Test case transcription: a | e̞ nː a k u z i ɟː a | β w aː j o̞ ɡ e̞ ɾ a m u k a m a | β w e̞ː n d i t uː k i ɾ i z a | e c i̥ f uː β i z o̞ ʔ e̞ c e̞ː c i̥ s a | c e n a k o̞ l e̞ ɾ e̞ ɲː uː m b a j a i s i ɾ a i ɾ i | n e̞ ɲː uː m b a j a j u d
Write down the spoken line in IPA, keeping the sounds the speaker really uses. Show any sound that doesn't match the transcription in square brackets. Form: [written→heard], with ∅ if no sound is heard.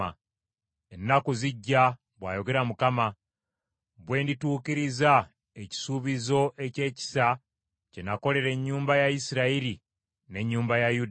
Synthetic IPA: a | e̞ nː a k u z i ɟː a | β w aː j o̞ ɡ e̞ ɾ a m u k a m a | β w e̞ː n d i t uː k i ɾ i z a | e c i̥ [f→s] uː β i z o̞ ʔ e̞ c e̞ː c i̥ s a | c e n a k o̞ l e̞ ɾ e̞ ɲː uː m b a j a i s i ɾ a i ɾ i | n e̞ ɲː uː m b a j a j u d